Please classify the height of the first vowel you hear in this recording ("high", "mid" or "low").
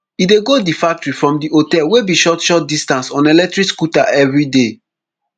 high